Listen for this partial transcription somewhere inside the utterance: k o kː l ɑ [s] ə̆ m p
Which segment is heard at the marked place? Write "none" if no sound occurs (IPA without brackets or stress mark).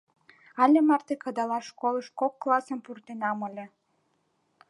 s